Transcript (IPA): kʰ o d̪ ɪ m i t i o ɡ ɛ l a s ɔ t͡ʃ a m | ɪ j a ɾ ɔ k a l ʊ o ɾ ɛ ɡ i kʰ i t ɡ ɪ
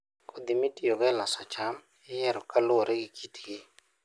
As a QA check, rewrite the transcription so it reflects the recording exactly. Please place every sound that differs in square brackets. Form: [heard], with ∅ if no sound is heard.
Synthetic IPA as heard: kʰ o d̪ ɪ m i t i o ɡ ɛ l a s ɔ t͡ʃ a m | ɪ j [ɛ] ɾ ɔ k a l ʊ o ɾ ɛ ɡ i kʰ i t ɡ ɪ